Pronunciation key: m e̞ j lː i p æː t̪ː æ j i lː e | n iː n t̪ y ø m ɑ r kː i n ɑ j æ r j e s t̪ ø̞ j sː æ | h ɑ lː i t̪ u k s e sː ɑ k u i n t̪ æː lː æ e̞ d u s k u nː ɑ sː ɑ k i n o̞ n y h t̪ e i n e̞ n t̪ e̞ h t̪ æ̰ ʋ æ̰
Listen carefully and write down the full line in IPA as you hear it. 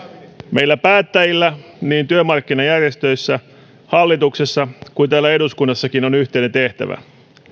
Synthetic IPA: m e̞ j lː æ p æː t̪ː æ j i lː æ | n iː n t̪ y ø m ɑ r kː i n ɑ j æ r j e s t̪ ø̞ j sː æ | h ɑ lː i t̪ u k s e sː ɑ k u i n t̪ æː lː æ e̞ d u s k u nː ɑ sː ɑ k i n o̞ n y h t̪ e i n e̞ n t̪ e̞ h t̪ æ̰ ʋ æ̰